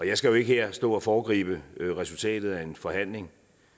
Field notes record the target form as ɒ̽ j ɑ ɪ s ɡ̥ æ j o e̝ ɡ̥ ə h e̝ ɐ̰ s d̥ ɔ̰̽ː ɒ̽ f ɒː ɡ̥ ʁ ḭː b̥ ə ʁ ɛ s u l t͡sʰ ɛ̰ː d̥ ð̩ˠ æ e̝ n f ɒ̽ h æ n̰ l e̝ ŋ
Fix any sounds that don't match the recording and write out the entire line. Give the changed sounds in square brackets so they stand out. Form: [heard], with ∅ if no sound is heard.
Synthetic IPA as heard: ɒ̽ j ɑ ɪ s ɡ̥ æ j o e̝ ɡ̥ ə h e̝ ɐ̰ s d̥ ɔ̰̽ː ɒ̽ f ɒː ɡ̥ ʁ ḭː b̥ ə ʁ ɛ s u l t͡sʰ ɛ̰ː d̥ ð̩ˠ æ e̝ n f ɒ̽ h æ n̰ l e̝ ŋ